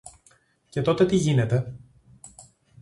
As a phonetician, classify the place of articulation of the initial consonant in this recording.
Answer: palatal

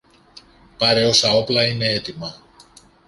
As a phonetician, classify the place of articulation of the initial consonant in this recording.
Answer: labial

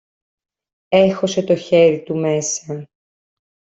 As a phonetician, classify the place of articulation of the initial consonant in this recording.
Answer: velar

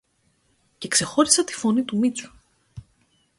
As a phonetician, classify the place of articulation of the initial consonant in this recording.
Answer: palatal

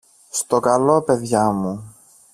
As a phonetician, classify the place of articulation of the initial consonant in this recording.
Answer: alveolar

